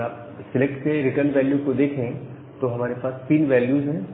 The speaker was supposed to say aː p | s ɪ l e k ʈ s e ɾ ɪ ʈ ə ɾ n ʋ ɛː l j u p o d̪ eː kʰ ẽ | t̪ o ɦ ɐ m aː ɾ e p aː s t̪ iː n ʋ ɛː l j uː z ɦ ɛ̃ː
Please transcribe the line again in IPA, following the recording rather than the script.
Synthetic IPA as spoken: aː p | s ɪ l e k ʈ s e ɾ ɪ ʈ ə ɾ n ʋ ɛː l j u k o d̪ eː kʰ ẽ | t̪ o ɦ ɐ m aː ɾ e p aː s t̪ iː n ʋ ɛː l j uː z ɦ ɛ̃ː

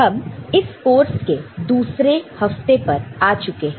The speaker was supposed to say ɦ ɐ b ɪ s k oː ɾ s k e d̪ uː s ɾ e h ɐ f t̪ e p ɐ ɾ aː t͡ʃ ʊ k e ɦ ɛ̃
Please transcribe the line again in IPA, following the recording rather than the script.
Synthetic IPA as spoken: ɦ ɐ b ɪ s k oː ɾ s k e d̪ uː s ɾ e h ɐ f t̪ e p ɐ ɾ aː t͡ʃ ʊ k e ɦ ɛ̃

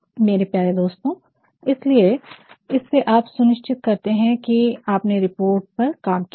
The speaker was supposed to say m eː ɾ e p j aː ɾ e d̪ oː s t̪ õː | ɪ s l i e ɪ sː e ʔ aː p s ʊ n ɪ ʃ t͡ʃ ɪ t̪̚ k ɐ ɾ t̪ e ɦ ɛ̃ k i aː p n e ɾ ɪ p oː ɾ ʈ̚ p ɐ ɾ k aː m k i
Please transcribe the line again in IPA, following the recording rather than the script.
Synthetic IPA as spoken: m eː ɾ e p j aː ɾ e d̪ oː s t̪ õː | ɪ s l i e ɪ sː e ʔ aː p s ʊ n ɪ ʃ t͡ʃ ɪ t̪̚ k ɐ ɾ t̪ e ɦ ɛ̃ k i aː p n e ɾ ɪ p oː ɾ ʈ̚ p ɐ ɾ k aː m k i

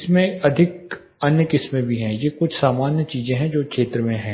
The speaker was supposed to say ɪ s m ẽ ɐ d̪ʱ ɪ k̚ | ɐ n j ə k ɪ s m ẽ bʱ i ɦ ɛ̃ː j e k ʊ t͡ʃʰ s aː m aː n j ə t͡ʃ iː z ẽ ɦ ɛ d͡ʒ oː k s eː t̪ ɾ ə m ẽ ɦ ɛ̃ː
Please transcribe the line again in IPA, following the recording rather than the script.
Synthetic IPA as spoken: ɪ s m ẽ ɐ d̪ʱ ɪ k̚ | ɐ n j ə k ɪ s m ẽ bʱ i ɦ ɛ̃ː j e k ʊ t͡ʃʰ s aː m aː n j ə t͡ʃ iː z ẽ ɦ ɛ̃ d͡ʒ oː k ʃ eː t̪ ɾ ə m ẽ ɦ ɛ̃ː

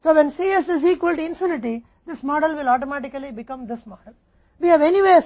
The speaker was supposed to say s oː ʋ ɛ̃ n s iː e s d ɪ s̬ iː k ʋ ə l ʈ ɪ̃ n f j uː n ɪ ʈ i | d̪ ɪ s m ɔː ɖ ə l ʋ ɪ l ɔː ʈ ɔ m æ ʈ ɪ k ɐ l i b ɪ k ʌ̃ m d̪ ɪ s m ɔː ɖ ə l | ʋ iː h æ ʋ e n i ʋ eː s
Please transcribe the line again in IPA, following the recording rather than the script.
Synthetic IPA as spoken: s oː ʋ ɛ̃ n s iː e s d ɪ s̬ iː k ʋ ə l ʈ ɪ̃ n f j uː n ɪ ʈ i | d̪ ɪ s m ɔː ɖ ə l ʋ ɪ l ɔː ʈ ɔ m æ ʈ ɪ k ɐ l i b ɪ k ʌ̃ m d̪ ɪ s m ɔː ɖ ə l | ʋ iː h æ ʋ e n i ʋ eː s

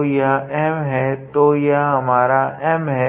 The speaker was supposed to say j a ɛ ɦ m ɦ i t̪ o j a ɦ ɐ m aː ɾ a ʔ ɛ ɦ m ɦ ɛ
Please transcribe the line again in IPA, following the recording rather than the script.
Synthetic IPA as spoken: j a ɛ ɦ m ɦ ɛ t̪ o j a ɦ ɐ m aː ɾ a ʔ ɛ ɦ m ɦ ɛ

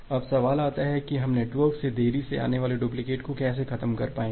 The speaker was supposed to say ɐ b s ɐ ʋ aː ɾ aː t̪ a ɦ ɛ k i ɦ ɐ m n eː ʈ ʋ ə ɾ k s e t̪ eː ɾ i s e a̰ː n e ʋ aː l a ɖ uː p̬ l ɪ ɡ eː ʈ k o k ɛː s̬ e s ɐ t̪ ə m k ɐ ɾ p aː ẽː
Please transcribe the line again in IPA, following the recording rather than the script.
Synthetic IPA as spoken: ɐ b s ɐ ʋ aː l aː t̪ a ɦ ɛ k i ɦ ɐ m n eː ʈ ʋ ə ɾ k s e d̪ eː ɾ i s e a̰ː n e ʋ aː l e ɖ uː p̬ l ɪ k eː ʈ k o k ɛː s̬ e x ɐ t̪ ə m k ɐ ɾ p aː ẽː

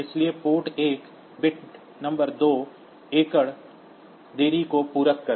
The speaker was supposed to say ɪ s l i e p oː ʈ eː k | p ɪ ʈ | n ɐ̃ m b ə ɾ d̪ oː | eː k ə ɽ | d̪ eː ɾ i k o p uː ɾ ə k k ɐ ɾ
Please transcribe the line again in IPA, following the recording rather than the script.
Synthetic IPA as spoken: ɪ s l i e p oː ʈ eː k | b ɪ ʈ | n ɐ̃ m b ə ɾ d̪ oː | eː k ə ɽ | d̪ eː ɾ i k o p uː ɾ ə k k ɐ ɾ

